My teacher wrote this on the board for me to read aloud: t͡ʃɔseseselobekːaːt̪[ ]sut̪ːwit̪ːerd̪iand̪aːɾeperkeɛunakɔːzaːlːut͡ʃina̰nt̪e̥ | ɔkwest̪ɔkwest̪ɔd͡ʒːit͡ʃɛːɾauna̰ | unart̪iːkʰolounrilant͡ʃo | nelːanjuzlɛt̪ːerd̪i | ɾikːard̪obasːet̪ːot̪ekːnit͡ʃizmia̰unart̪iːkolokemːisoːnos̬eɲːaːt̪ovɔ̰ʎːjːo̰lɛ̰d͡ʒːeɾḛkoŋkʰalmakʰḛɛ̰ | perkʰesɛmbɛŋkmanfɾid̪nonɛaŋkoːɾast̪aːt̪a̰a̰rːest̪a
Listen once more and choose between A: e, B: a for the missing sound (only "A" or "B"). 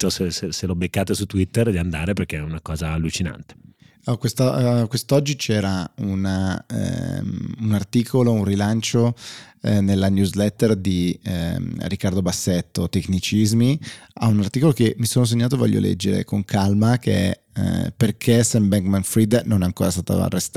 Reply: A